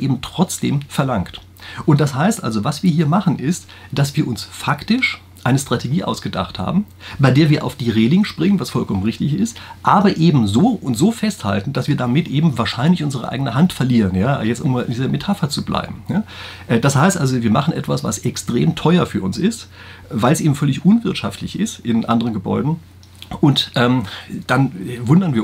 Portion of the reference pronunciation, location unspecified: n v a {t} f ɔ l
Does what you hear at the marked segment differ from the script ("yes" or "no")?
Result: yes